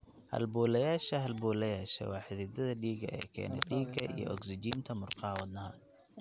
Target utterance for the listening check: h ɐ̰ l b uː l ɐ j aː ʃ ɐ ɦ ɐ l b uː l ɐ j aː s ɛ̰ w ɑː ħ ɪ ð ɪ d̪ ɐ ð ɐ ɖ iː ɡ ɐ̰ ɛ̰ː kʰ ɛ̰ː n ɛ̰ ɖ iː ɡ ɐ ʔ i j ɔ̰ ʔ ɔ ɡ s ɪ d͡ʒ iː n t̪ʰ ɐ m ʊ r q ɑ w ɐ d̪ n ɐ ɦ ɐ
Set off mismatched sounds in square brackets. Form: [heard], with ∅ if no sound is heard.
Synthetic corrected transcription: h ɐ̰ l b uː l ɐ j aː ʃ ɐ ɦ ɐ l b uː l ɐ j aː [ʃ] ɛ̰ w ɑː ħ ɪ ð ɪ d̪ ɐ ð ɐ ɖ iː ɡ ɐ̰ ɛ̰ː kʰ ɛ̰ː n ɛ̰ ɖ iː ɡ ɐ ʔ i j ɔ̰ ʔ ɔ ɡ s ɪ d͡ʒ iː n t̪ʰ ɐ m ʊ r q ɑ w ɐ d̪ n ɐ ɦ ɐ